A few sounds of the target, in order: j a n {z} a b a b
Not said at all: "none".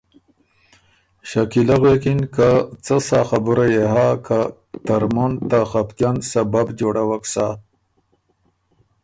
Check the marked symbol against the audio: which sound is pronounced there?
s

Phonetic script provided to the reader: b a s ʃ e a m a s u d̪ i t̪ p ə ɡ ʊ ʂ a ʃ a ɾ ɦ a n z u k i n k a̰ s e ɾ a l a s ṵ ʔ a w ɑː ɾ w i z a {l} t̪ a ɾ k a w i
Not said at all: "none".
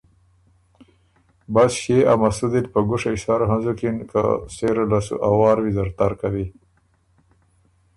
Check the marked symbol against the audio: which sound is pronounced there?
ɾ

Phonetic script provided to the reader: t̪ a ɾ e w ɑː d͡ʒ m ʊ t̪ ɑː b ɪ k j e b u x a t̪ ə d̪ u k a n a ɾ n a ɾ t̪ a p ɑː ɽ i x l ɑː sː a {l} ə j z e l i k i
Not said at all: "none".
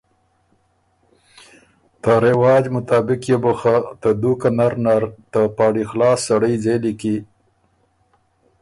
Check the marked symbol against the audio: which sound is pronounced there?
ɽ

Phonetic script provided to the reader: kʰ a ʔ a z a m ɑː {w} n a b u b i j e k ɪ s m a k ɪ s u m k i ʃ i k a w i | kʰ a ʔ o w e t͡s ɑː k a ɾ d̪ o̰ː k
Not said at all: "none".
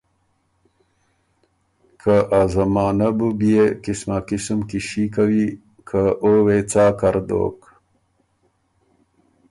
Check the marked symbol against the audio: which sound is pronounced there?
none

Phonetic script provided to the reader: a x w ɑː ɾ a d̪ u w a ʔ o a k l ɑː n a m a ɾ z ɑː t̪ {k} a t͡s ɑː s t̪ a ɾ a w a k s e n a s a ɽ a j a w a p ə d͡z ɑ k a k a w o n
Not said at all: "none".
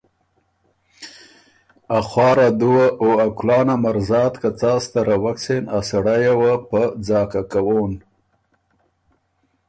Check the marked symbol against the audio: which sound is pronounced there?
k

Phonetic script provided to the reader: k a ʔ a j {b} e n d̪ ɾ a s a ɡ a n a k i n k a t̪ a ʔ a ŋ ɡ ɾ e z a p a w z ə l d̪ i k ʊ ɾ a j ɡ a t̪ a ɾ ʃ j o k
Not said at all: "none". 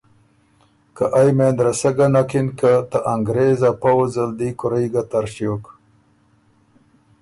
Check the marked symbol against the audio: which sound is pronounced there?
m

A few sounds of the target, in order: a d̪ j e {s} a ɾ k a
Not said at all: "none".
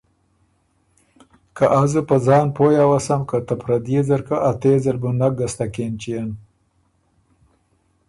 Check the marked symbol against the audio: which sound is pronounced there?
z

